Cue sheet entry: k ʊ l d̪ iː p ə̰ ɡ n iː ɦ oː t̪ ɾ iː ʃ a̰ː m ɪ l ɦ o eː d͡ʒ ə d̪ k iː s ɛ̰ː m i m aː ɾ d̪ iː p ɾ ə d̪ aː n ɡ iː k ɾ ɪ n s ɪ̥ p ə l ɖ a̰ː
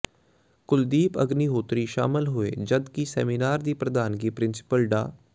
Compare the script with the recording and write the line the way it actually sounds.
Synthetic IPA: k ʊ l d̪ iː p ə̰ ɡ n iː ɦ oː t̪ ɾ iː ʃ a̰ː m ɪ l ɦ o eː d͡ʒ ə d̪ k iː s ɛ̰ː m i n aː ɾ d̪ iː p ɾ ə d̪ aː n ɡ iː p ɾ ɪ n s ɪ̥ p ə l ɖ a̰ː